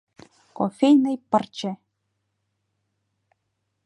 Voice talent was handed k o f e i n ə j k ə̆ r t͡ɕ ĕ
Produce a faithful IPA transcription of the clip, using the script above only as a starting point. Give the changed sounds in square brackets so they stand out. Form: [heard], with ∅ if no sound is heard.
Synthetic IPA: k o f e [j] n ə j [p] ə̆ r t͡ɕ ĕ